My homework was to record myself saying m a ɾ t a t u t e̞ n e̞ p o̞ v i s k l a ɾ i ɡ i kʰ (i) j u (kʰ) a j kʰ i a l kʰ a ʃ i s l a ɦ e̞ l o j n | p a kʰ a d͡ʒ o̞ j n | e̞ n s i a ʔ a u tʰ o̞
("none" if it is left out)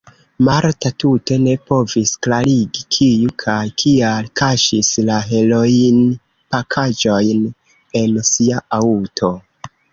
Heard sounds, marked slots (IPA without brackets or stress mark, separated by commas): i, kʰ